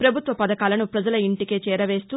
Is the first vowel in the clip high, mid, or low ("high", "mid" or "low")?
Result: low